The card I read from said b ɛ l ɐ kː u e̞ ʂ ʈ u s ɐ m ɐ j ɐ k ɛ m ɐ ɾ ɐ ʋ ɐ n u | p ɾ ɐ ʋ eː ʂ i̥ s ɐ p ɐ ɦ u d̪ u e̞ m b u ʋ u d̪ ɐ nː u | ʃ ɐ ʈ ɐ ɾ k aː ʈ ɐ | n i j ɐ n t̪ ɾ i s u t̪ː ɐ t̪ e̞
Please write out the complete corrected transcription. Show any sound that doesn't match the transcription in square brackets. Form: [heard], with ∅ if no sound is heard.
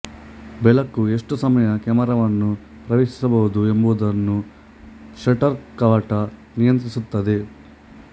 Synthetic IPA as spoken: b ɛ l ɐ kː u e̞ ʂ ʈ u s ɐ m ɐ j ɐ k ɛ m ɐ ɾ ɐ ʋ ɐ [nː] u | p ɾ ɐ ʋ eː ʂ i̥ s ɐ [b] ɐ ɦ u d̪ u e̞ m b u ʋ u d̪ ɐ nː u | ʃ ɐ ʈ ɐ ɾ k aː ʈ ɐ | n i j ɐ n t̪ ɾ i s u t̪ː ɐ [d̪] e̞